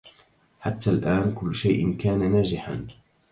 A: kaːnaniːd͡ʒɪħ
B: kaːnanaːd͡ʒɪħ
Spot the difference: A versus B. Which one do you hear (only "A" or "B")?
B